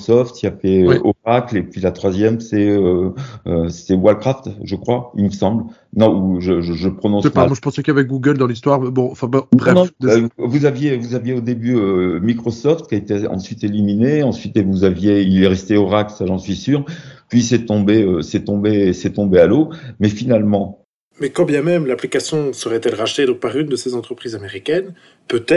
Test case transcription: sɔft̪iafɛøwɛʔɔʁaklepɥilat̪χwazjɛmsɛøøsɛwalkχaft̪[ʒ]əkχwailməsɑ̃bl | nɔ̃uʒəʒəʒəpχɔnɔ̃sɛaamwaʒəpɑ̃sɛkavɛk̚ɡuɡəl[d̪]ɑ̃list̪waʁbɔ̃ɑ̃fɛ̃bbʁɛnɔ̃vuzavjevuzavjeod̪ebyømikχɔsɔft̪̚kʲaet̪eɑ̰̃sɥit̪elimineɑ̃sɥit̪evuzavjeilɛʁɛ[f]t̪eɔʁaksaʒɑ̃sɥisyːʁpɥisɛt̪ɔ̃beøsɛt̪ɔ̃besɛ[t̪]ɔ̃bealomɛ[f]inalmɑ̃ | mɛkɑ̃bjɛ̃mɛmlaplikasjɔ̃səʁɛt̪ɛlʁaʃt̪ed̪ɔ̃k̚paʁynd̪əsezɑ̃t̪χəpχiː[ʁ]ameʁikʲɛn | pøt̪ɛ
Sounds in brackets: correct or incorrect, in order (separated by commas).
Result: correct, correct, incorrect, correct, correct, incorrect